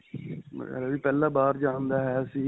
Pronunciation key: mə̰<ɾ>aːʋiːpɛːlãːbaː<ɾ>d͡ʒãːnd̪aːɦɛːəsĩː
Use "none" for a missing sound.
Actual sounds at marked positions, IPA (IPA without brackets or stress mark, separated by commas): ɾ, ɾ